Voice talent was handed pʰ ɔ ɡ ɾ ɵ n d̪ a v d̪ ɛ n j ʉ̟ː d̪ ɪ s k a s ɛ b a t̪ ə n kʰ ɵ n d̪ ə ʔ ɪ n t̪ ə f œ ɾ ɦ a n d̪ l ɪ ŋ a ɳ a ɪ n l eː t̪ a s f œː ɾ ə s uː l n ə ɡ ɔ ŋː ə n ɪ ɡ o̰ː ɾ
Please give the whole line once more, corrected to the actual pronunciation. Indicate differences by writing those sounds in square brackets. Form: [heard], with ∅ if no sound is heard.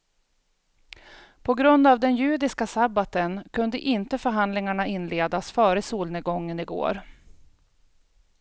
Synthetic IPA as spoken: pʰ ɔ ɡ ɾ ɵ n d̪ a v d̪ ɛ n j ʉ̟ː d̪ ɪ s k a s [a] b a t̪ ə n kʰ ɵ n d̪ ə ʔ ɪ n t̪ ə f œ ɾ ɦ a n d̪ l ɪ ŋ a ɳ a ɪ n l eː [d̪] a s f œː ɾ ə s uː l n ə ɡ ɔ ŋː ə n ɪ ɡ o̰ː ɾ

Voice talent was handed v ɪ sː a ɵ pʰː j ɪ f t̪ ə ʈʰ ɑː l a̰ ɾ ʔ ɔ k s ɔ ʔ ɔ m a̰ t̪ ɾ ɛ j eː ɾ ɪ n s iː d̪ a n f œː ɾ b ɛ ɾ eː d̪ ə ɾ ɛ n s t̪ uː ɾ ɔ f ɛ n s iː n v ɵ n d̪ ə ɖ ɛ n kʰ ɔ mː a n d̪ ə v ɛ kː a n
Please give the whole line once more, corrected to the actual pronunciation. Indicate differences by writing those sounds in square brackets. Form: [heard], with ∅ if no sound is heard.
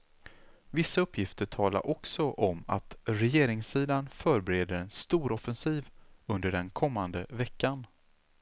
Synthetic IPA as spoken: v ɪ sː a ɵ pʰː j ɪ f t̪ ə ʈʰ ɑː l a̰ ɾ ʔ ɔ k s ɔ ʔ ɔ m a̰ t̪ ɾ ɛ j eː ɾ ɪ [ŋ] s iː d̪ a n f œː ɾ b ɛ ɾ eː d̪ ə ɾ ɛ n s t̪ uː ɾ ɔ f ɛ n s iː [∅] v ɵ n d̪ ə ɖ ɛ n kʰ ɔ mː a n d̪ ə v ɛ kː a n

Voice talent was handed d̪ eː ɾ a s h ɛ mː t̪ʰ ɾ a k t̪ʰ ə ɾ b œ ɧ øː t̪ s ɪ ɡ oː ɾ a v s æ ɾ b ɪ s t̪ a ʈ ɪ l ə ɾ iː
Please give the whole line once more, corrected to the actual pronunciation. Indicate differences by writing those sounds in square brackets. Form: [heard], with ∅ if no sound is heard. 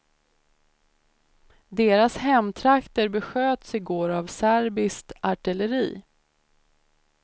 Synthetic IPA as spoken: d̪ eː ɾ a s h ɛ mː t̪ʰ ɾ a k [t̪] ə ɾ b [ɛ] ɧ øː t̪ s ɪ ɡ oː ɾ a v s æ ɾ b ɪ s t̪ a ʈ ɪ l ə ɾ iː

